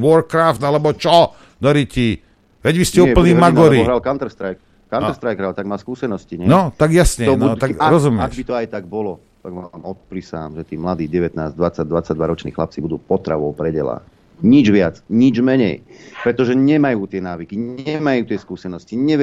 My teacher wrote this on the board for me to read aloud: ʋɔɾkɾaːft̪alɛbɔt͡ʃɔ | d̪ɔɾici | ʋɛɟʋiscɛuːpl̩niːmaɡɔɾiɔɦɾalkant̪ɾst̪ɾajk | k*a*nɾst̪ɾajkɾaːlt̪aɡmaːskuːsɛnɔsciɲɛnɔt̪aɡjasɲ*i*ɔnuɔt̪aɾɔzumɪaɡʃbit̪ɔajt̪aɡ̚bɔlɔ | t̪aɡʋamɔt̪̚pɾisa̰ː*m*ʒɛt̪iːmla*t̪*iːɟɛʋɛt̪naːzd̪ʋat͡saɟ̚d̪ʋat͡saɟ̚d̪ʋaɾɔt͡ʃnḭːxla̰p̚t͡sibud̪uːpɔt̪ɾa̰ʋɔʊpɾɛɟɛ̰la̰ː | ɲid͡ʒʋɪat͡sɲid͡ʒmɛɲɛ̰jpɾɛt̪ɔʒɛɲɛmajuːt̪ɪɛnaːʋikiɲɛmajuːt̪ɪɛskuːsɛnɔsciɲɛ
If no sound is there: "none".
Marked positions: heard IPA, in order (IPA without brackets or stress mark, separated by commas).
a, ɛ, m, d̪